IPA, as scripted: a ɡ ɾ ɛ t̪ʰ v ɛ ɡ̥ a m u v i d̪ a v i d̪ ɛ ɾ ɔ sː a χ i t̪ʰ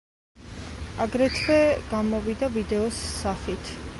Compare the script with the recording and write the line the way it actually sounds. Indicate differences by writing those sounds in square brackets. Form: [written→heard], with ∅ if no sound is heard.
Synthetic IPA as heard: a ɡ ɾ ɛ t̪ʰ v ɛ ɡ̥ a m [u→ɔ] v i d̪ a v i d̪ ɛ [ɾ→∅] ɔ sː a χ i t̪ʰ